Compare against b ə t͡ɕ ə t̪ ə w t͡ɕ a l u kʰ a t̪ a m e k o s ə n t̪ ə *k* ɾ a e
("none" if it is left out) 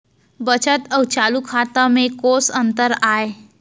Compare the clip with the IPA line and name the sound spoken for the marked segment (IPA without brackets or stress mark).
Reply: none